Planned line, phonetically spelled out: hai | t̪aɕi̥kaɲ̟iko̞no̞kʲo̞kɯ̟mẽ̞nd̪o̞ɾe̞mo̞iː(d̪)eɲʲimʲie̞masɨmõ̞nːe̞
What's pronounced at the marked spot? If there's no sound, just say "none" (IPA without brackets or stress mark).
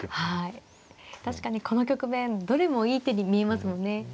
t̪